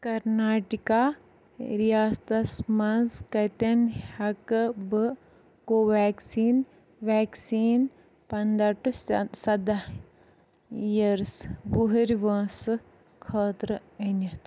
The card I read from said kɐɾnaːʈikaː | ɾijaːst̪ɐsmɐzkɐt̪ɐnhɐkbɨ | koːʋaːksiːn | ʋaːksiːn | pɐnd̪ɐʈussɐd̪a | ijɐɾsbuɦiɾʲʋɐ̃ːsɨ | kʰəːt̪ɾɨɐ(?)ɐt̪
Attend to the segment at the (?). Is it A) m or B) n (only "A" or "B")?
B